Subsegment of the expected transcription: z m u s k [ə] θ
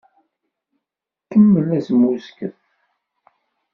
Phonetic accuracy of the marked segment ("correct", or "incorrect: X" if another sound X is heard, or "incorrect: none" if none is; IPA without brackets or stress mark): correct